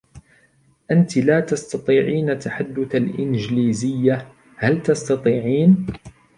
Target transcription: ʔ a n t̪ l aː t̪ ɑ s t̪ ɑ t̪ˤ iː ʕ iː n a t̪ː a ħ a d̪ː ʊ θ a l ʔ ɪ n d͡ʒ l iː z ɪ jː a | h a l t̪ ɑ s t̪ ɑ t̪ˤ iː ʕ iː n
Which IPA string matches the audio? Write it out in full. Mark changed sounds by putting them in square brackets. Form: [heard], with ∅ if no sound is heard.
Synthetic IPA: ʔ a n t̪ l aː t̪ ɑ s t̪ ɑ t̪ˤ iː ʕ iː n a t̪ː a ħ a d̪ː ʊ θ a l ʔ ɪ n d͡ʒ l iː z ɪ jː a | h a l t̪ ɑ s t̪ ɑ t̪ˤ iː ʕ iː n